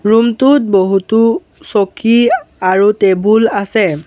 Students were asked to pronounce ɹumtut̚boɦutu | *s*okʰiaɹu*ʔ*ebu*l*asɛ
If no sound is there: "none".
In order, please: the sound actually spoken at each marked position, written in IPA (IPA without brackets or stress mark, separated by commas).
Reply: s, t, l